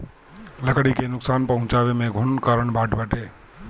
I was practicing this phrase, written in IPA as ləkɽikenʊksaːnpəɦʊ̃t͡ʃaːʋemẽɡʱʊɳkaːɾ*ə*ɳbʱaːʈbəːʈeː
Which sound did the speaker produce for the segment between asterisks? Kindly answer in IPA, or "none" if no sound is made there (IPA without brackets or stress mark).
ə